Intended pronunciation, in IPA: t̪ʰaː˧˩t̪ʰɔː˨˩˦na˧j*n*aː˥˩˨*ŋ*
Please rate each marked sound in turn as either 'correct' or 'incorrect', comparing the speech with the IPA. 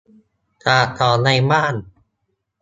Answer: incorrect: m, incorrect: n

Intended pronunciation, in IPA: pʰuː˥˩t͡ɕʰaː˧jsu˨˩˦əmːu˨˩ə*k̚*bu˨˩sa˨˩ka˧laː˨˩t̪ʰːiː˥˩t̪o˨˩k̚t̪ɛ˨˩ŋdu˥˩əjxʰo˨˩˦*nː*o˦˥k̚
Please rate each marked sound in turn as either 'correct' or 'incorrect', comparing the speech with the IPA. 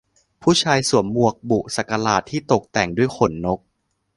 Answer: correct, correct

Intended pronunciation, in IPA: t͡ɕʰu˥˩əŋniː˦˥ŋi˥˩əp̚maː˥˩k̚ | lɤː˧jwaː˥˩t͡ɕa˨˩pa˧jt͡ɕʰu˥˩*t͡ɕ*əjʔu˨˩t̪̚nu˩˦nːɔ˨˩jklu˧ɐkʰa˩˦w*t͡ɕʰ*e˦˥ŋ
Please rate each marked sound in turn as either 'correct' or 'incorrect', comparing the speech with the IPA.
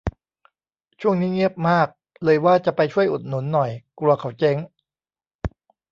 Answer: incorrect: none, incorrect: t͡ɕ

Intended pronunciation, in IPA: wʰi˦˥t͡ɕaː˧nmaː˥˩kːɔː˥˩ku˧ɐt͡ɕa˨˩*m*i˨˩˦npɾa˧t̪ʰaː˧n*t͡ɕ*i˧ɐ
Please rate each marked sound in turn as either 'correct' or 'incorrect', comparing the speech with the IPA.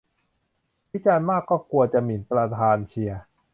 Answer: correct, incorrect: t͡ɕʰ

